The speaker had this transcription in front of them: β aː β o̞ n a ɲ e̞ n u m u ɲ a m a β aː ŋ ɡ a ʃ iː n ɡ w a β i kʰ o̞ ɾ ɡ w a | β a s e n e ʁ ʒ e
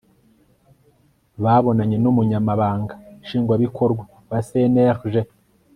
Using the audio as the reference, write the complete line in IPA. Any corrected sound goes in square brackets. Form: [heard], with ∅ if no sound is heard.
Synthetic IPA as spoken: β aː β o̞ n a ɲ e̞ n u m u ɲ a m a β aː ŋ ɡ a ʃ iː [ŋ] ɡ w a β i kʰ o̞ ɾ ɡ w a | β a s e n e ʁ ʒ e